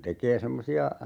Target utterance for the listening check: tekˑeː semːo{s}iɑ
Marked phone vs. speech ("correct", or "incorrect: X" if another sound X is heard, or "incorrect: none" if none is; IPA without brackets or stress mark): correct